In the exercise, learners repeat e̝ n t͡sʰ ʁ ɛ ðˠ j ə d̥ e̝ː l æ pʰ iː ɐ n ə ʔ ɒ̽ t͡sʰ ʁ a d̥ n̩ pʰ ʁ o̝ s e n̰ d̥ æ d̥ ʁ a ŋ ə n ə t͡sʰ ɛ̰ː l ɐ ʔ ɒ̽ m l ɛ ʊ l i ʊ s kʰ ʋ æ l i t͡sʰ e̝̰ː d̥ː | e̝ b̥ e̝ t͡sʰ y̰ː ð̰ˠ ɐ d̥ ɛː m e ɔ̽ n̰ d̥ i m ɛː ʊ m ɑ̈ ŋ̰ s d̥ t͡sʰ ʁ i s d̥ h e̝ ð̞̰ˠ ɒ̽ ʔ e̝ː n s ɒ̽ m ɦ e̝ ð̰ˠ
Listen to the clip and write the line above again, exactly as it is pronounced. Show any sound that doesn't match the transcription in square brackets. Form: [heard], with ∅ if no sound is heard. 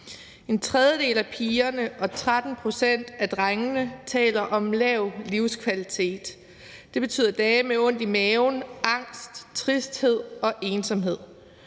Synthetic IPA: e̝ n t͡sʰ ʁ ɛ ðˠ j ə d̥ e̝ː l æ pʰ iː ɐ n ə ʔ ɒ̽ t͡sʰ ʁ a d̥ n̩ pʰ ʁ o̝ s e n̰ d̥ æ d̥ ʁ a ŋ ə n ə t͡sʰ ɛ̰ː l ɐ ʔ ɒ̽ m l ɛ ʊ l i ʊ s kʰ ʋ æ l i t͡sʰ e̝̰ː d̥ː | e̝ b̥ e̝ t͡sʰ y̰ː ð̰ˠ ɐ d̥ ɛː m e ɔ̽ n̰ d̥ i m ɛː ʊ [n] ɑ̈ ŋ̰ s d̥ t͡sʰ ʁ i s d̥ h e̝ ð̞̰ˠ ɒ̽ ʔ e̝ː n s ɒ̽ m ɦ e̝ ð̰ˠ